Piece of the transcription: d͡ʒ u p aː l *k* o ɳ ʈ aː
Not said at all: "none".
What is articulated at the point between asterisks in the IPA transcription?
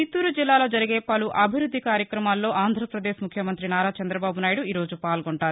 ɡ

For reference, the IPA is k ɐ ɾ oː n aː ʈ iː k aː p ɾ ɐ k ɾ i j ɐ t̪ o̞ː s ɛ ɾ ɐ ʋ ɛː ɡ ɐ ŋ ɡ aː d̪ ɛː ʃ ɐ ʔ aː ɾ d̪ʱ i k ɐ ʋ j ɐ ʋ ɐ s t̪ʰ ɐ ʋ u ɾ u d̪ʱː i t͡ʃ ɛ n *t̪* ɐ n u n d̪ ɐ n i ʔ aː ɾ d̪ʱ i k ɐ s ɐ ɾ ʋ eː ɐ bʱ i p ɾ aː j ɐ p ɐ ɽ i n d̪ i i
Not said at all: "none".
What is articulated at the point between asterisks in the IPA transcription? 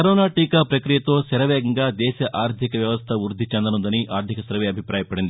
d̪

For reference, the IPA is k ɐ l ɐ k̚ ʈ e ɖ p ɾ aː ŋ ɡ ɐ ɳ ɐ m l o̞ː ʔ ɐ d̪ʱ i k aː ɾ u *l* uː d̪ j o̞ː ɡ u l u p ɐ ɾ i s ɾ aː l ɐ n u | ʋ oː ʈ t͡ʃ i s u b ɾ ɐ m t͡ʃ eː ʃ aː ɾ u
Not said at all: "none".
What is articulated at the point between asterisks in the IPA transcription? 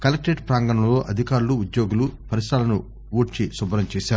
l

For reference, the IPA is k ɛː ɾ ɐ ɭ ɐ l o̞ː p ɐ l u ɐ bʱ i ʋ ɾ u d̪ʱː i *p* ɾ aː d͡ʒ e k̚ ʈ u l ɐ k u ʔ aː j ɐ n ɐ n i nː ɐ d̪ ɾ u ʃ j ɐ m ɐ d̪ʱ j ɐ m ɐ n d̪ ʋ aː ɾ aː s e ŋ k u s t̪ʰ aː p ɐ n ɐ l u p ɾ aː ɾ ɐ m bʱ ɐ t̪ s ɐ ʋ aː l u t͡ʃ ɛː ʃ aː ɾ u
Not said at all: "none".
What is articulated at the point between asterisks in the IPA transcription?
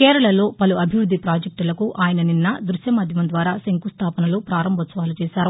p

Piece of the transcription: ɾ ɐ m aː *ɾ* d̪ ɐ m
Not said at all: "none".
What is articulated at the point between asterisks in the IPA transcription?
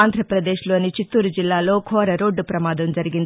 none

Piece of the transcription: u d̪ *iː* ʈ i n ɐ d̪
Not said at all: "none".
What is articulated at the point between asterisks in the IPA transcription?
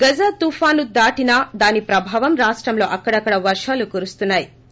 aː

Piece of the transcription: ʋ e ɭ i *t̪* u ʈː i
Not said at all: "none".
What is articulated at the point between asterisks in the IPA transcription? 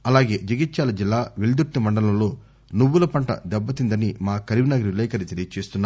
d̪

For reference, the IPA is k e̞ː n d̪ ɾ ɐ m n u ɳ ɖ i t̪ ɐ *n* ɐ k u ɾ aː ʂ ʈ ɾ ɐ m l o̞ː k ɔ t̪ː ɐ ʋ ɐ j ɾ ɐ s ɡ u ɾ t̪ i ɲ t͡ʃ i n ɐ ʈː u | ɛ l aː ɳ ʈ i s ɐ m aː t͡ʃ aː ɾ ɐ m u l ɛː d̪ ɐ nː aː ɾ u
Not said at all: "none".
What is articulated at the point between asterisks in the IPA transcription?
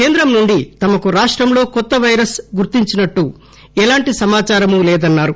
m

